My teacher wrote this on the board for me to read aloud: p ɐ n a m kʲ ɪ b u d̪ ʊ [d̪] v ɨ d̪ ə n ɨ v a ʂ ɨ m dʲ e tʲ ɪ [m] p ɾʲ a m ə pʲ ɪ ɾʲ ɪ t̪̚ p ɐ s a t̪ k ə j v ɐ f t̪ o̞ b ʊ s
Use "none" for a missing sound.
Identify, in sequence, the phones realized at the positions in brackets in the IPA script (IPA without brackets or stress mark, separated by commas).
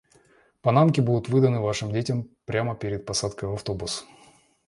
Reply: t̪, m